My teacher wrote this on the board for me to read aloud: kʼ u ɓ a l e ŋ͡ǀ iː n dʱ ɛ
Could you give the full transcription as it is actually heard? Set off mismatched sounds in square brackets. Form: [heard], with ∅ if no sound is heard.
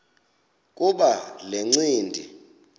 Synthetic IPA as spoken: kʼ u ɓ a l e ŋ͡ǀ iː n dʱ [i]